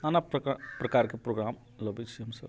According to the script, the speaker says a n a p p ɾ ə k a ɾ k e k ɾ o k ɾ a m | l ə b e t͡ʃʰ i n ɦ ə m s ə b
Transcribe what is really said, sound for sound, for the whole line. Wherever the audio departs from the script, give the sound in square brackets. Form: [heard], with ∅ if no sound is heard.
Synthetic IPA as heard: a n a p p ɾ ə k a ɾ k e [p] ɾ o [ɡ] ɾ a m | l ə b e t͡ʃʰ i [∅] ɦ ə m s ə b